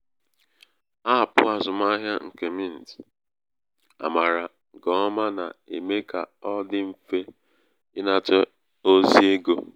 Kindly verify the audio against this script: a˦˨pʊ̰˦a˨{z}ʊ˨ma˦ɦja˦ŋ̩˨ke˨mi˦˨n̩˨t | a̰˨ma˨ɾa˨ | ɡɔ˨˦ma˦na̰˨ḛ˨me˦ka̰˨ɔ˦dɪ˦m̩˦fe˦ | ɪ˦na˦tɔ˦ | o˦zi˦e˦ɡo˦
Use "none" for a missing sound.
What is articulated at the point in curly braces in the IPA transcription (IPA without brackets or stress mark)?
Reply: z